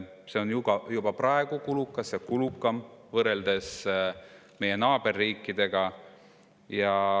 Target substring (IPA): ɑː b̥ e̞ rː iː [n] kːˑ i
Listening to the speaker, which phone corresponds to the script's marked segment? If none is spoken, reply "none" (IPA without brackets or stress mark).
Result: none